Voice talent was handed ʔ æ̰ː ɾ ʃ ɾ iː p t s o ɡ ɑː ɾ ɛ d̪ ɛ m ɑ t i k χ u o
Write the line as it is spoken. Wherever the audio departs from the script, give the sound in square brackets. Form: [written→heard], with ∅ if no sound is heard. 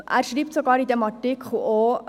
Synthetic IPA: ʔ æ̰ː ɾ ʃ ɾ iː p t s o ɡ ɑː ɾ [ɛ→i] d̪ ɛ m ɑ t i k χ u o